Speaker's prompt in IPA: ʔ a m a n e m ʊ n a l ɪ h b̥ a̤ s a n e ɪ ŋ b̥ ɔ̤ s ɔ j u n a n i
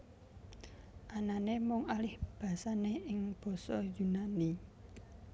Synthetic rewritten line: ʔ a n a n e m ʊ ŋ a l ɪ h b̥ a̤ s a n e ɪ ŋ b̥ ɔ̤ s ɔ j u n a n i